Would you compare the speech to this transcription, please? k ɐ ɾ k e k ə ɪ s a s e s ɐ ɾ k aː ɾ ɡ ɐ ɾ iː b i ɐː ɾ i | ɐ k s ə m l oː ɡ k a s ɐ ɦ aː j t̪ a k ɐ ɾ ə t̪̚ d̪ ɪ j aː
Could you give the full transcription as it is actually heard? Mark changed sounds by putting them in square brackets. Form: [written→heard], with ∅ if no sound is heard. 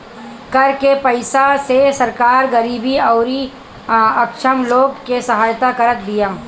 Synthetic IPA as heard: k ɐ ɾ k e [k→p] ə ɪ s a s e s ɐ ɾ k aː ɾ ɡ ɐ ɾ iː b i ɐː ɾ i | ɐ k [s→ʃ] ə m l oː ɡ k [a→e] s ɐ ɦ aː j t̪ a k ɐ ɾ ə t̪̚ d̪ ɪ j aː

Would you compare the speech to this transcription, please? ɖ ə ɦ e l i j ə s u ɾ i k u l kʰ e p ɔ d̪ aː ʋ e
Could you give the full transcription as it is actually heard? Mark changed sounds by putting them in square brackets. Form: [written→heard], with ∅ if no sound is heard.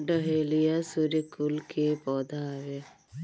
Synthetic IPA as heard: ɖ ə ɦ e l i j [ə→a] s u ɾ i k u l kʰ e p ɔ d̪ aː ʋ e

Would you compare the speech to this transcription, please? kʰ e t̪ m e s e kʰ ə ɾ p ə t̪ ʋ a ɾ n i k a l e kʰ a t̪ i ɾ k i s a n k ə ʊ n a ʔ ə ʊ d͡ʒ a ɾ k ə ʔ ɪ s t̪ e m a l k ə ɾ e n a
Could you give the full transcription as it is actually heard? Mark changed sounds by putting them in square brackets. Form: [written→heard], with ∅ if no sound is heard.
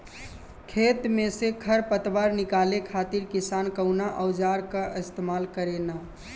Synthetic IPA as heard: kʰ e t̪ m e s e kʰ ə ɾ p ə t̪ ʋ a ɾ n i k a l e kʰ a t̪ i ɾ k i s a n k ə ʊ n a ʔ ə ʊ d͡ʒ a ɾ k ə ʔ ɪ s t̪ e m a l k ə ɾ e n a

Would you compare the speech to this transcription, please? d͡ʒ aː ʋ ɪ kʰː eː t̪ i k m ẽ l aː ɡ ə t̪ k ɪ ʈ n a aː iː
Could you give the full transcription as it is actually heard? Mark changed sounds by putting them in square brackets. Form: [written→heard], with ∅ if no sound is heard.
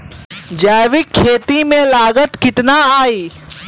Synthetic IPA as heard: d͡ʒ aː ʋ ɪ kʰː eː t̪ i [k→∅] m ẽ l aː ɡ ə t̪ k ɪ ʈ n a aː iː

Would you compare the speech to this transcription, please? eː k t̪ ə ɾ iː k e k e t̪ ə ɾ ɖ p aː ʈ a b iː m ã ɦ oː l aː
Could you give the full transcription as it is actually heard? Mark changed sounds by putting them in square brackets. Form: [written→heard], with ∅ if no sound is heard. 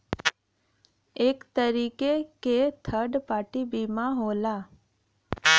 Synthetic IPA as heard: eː k t̪ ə ɾ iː k e k e [t̪→t̪ʰ] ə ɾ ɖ p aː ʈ [a→i] b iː m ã ɦ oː l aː

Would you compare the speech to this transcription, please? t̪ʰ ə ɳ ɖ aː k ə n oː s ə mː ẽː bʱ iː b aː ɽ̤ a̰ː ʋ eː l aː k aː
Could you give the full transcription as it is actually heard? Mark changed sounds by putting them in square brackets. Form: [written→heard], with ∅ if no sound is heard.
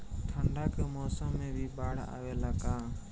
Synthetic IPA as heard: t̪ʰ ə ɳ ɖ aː k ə [n→m] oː s ə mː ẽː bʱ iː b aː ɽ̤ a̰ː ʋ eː l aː k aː

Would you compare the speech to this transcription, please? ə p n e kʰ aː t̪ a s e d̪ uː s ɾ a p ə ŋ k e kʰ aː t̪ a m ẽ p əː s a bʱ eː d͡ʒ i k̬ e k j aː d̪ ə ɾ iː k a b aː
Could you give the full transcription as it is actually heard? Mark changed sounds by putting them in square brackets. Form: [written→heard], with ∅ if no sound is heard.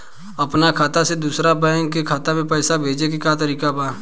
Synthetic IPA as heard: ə p n [e→a] kʰ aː t̪ a s e d̪ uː s ɾ a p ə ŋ k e kʰ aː t̪ a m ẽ p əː s a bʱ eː d͡ʒ [i→e] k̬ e k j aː [d̪→t̪] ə ɾ iː k a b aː

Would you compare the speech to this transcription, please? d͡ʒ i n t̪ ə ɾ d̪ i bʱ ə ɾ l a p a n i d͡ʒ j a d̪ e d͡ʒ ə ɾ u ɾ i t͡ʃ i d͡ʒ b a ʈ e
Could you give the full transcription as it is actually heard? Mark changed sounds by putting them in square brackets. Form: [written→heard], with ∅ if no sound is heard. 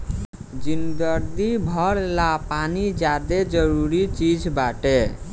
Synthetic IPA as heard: d͡ʒ i n [t̪→d̪] ə ɾ d̪ i bʱ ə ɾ l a p a n i d͡ʒ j a d̪ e d͡ʒ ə ɾ u ɾ i t͡ʃ i d͡ʒ b a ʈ e

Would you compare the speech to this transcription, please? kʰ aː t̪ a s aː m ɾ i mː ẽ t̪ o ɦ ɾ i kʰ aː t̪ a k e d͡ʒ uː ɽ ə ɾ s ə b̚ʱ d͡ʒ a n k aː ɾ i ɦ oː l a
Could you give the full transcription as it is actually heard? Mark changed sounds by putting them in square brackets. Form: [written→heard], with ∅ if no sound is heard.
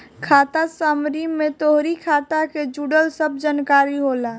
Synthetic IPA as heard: kʰ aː t̪ a s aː m ɾ i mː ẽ t̪ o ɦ ɾ i kʰ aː t̪ a k e d͡ʒ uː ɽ ə [ɾ→l] s ə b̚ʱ d͡ʒ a n k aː ɾ i ɦ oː l a

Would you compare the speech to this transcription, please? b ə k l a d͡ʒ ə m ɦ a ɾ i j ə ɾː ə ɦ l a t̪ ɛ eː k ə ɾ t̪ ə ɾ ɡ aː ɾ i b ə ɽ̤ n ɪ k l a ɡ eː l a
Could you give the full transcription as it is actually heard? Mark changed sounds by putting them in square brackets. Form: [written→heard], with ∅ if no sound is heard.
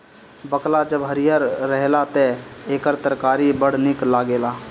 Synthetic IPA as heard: b ə k l a d͡ʒ ə [m→b] ɦ [a→ə] ɾ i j ə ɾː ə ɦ l a t̪ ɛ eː k ə ɾ t̪ ə ɾ [ɡ→k] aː ɾ i b ə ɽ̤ n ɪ k l a ɡ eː l a

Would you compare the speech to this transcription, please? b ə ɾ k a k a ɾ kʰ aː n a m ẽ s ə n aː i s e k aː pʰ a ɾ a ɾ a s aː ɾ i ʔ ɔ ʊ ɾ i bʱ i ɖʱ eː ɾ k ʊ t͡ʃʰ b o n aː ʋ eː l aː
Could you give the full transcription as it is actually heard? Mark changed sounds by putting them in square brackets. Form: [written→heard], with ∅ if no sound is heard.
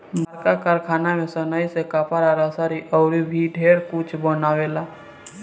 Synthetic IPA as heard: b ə ɾ k a k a ɾ kʰ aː n a m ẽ s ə n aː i s e k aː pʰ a ɾ a ɾ a s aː ɾ i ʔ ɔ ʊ ɾ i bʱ i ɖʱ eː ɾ k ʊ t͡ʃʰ b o n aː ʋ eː l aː

